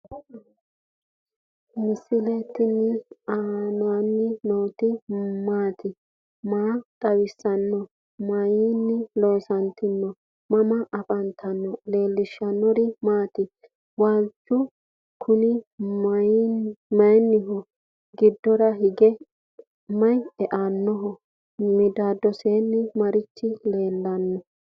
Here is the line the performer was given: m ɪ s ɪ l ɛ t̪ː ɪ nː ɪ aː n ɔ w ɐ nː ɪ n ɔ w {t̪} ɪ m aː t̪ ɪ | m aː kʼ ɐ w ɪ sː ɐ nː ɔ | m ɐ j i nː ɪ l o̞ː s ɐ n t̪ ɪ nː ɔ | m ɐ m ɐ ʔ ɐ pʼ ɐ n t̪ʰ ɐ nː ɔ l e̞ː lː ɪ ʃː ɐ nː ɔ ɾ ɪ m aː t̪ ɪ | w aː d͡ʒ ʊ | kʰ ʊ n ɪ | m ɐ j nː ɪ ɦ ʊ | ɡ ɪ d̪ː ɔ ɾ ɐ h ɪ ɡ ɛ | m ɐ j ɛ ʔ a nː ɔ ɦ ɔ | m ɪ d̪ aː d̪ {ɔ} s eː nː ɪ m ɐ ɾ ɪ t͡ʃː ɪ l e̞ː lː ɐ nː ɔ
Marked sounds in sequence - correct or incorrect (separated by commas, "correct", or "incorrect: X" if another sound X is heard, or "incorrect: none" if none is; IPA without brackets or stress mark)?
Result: correct, correct